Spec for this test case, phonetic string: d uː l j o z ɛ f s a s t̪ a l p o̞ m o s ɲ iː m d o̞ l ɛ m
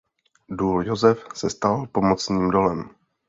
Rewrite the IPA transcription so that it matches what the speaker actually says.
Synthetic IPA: d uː l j o z ɛ f s ɛ s t̪ a l p o̞ m o t͡s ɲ iː m d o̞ l ɛ m